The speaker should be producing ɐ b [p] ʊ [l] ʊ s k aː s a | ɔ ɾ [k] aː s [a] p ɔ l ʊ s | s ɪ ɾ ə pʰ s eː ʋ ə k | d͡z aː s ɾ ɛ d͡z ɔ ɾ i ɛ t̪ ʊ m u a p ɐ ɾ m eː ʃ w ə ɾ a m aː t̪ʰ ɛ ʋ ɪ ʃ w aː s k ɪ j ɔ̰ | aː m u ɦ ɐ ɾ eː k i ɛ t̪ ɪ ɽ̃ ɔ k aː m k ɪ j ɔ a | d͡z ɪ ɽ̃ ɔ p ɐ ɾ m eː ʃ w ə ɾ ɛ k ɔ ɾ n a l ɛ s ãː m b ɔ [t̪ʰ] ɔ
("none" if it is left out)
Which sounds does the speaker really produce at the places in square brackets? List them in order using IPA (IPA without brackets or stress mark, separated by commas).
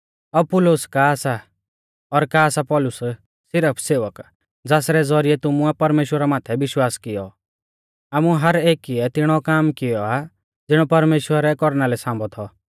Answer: p, l, k, a, t̪ʰ